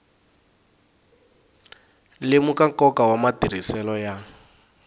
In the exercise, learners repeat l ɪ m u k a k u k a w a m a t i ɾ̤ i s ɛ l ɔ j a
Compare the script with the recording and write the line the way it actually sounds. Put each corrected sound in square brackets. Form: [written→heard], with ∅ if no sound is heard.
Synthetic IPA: l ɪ m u k a k [u→ɔ] k a w a m a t i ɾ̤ i s ɛ l ɔ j a

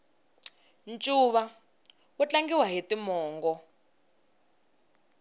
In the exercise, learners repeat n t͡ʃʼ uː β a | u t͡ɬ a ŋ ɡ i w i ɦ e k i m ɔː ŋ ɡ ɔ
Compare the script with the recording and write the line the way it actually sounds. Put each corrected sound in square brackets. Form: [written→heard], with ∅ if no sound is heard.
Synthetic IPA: n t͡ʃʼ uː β a | u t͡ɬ a ŋ ɡ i w [i→a] ɦ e [k→t] i m ɔː ŋ ɡ ɔ

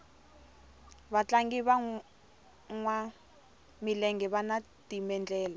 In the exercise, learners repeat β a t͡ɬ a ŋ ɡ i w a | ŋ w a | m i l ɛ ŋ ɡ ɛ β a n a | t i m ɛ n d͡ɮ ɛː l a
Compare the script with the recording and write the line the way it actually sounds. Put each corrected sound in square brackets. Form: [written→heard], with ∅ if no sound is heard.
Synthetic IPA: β a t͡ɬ a ŋ ɡ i [w→β] a | ŋ w a | m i l ɛ ŋ ɡ ɛ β a n a | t i m ɛ n d͡ɮ ɛː l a

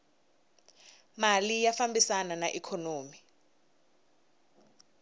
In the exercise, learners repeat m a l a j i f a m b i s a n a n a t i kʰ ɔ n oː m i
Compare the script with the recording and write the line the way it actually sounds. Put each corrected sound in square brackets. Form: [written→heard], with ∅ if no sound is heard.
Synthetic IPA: m a l [a→i] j [i→a] f a m b i s a n a n a [t→ʔ] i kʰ ɔ n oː m i

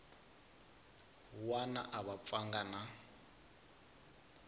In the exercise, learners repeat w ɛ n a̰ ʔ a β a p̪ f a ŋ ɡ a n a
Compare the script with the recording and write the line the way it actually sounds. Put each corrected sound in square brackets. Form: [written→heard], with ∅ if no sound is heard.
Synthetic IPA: w [ɛ→a] n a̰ ʔ a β a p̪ f a ŋ ɡ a n a

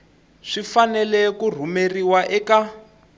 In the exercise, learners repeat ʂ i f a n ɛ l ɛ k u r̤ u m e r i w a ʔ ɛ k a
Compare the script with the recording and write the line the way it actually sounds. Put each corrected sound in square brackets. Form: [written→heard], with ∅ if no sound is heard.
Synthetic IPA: ʂ i f a n ɛ l ɛ k u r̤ u m e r i w a ʔ ɛ k a

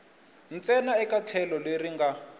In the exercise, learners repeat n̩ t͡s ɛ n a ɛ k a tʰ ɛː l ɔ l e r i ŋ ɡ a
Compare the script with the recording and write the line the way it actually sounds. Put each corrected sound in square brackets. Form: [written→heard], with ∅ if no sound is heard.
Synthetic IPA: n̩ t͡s ɛ n a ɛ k a tʰ [ɛː→ɛ] l ɔ l e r i ŋ ɡ a

